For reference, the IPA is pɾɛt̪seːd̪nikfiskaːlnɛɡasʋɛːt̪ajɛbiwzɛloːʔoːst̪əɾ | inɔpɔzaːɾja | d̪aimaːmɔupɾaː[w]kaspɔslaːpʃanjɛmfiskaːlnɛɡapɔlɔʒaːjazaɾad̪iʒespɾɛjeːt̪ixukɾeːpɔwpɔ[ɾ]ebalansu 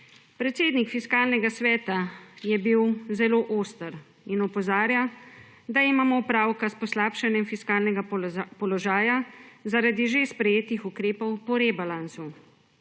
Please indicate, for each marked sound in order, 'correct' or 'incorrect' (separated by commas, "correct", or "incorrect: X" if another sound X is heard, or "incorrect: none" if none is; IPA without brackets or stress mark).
correct, correct